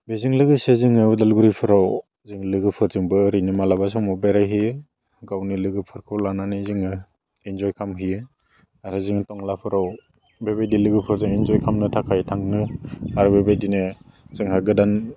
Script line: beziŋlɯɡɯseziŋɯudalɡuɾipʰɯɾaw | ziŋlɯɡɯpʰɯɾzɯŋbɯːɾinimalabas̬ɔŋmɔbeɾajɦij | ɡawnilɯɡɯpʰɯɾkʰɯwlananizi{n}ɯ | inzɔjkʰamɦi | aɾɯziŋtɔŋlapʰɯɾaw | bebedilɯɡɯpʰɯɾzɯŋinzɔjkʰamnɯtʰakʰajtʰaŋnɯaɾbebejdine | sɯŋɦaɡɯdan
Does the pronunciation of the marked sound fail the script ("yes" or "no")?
yes